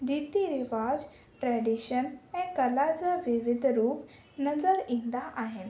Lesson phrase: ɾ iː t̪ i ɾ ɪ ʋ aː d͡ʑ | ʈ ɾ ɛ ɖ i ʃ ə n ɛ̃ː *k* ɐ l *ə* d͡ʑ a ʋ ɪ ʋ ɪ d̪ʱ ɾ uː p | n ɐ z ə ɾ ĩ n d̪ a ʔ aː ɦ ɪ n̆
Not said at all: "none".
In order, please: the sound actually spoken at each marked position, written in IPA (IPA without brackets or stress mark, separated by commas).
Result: k, a